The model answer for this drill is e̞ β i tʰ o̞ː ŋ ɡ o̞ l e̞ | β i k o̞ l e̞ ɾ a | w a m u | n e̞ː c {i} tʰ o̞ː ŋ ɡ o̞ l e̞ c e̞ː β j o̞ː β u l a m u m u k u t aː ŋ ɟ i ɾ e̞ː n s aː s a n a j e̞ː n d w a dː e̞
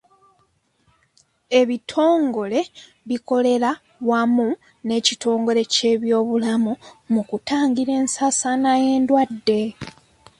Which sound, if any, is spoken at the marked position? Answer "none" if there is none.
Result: i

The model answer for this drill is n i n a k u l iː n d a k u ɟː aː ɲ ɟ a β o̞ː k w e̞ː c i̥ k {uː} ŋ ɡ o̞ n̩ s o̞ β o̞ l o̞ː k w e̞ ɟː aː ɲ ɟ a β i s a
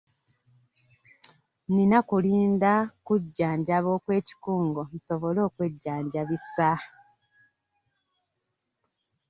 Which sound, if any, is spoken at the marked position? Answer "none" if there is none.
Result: uː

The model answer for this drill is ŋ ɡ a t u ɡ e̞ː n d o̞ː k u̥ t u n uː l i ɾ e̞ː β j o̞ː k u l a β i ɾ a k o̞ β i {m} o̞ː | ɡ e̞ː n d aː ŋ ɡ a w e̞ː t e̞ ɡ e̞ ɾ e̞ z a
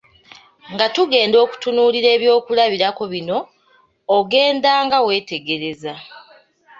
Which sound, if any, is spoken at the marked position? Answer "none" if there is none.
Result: n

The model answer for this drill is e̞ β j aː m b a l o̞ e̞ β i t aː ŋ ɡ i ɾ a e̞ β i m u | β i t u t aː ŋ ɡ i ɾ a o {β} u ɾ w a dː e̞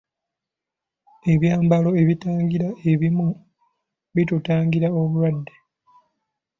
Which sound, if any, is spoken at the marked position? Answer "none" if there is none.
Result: β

